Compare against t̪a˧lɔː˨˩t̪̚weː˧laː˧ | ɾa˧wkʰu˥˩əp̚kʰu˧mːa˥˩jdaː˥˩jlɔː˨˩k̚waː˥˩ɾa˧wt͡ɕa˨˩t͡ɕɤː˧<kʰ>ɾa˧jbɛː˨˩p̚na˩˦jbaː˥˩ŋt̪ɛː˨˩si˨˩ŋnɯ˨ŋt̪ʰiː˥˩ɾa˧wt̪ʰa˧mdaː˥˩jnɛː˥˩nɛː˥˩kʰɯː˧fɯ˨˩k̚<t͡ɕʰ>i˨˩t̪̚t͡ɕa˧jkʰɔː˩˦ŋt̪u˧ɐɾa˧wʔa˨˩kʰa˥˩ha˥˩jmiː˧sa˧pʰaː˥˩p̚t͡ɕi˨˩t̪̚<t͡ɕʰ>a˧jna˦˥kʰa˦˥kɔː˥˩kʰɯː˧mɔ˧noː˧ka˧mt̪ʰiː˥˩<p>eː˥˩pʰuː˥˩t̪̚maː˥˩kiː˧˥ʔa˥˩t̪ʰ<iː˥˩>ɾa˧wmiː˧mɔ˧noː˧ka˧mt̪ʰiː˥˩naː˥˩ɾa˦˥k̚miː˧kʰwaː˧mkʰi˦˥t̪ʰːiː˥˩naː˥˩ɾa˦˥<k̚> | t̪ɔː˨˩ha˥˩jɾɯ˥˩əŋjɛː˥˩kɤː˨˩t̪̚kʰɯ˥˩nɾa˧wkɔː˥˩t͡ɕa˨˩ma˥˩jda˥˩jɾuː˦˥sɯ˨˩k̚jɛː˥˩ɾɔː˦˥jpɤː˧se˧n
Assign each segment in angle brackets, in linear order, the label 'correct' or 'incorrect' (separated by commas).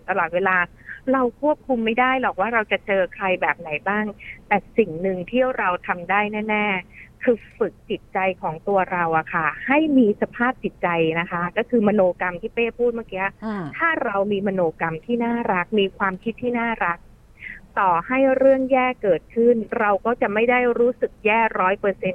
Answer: correct, incorrect, incorrect, correct, incorrect, correct